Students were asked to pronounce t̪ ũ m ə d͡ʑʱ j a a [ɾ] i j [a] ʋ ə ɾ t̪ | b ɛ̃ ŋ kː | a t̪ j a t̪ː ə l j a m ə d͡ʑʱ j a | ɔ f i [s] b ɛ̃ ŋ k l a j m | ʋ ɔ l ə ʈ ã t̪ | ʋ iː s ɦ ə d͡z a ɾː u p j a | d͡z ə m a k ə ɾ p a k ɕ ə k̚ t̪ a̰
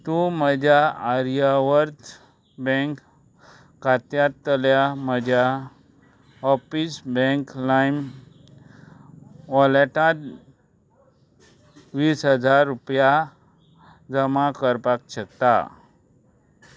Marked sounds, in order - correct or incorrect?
correct, correct, correct

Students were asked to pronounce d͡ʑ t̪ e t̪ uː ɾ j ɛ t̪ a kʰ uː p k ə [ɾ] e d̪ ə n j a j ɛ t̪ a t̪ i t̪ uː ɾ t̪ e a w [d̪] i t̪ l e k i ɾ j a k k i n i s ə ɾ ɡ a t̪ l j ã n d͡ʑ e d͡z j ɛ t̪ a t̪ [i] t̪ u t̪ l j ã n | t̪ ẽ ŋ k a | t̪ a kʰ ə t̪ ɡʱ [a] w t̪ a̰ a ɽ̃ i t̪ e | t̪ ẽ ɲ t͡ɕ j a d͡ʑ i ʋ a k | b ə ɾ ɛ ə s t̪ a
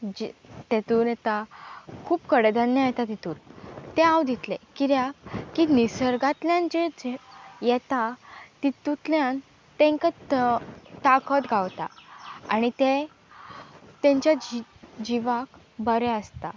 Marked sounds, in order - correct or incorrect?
incorrect: ɽ, correct, correct, correct

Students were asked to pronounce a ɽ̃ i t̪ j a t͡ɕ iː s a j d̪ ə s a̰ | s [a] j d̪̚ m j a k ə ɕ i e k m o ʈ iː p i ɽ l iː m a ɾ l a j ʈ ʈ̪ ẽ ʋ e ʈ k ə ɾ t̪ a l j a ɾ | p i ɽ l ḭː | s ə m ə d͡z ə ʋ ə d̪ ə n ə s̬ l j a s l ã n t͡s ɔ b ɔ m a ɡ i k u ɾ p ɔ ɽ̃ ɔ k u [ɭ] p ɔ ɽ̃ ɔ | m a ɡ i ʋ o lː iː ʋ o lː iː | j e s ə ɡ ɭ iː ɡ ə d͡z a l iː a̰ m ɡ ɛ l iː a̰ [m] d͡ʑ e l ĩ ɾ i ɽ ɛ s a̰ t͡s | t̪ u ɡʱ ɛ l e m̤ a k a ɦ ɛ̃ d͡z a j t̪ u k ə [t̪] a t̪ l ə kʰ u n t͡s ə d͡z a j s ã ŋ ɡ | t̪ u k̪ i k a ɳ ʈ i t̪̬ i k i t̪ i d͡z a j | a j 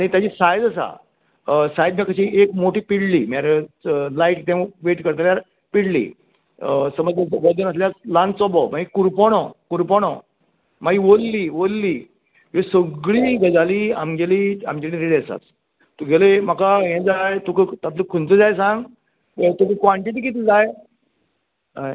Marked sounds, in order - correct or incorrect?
correct, incorrect: ɾ, correct, correct

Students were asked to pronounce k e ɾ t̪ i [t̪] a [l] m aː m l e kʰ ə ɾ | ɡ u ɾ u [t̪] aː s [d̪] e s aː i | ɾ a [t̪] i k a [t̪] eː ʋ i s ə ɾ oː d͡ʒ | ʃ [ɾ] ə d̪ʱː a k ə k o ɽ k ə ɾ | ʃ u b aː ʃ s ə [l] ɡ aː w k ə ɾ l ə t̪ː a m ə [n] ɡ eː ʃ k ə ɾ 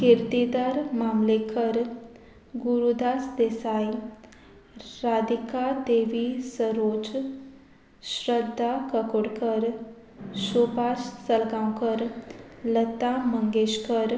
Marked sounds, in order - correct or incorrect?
incorrect: d̪, incorrect: ɾ, incorrect: d̪, correct, incorrect: d̪, incorrect: d̪, correct, correct, incorrect: ŋ

